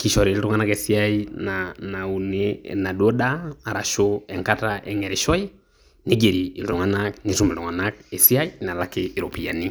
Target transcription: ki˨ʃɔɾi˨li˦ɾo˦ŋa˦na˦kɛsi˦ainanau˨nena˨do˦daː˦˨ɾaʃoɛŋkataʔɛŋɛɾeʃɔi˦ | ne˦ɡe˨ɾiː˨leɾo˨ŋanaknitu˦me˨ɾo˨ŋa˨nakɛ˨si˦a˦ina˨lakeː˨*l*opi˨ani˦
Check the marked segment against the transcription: incorrect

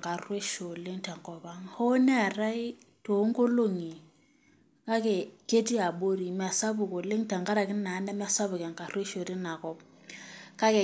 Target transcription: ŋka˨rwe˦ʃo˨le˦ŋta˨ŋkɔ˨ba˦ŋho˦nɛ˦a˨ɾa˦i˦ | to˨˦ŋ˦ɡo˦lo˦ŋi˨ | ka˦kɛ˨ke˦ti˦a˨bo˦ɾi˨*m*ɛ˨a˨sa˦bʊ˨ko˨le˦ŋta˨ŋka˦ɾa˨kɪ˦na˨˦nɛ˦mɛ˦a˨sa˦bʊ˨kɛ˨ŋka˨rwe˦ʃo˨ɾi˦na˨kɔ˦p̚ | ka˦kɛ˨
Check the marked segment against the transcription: correct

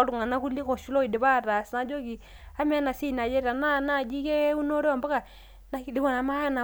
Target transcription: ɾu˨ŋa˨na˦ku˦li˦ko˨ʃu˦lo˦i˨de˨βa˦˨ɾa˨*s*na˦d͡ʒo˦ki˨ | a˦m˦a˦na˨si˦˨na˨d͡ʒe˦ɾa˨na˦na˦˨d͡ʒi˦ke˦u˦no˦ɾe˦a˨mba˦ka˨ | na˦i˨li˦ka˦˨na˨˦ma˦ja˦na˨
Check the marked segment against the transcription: correct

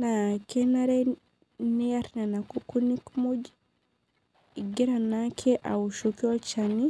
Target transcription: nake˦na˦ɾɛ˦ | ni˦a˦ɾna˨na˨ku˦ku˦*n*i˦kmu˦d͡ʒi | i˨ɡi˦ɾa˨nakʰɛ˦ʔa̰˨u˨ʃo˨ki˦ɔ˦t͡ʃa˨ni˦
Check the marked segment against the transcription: correct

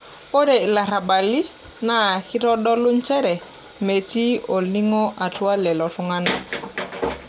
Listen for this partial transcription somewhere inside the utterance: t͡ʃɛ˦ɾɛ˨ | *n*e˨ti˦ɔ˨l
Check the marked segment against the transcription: incorrect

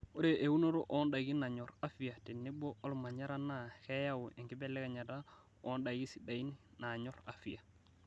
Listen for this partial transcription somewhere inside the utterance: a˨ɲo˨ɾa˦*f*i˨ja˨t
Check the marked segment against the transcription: correct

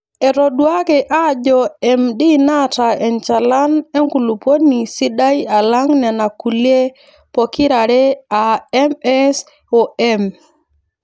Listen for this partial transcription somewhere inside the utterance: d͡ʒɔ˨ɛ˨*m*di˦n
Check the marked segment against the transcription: correct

